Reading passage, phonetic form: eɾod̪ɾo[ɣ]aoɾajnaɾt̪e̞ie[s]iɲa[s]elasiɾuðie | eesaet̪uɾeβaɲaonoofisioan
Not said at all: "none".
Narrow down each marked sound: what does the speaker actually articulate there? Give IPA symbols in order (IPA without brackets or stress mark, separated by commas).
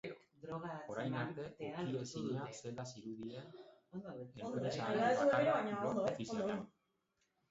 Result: ɣ, s, s